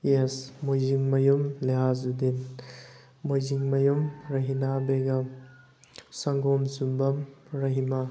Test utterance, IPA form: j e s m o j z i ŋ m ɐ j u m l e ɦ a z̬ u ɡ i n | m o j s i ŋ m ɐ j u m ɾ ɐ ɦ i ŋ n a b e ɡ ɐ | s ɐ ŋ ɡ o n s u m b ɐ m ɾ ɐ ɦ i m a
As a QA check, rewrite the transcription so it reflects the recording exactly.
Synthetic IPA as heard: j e s m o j z i ŋ m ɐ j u m l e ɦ a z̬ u d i n | m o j z i ŋ m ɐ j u m ɾ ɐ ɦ i n a b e ɡ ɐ | s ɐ ŋ ɡ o m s u m b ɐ m ɾ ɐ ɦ i m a